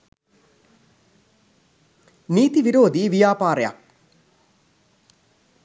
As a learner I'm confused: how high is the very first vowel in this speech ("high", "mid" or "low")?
high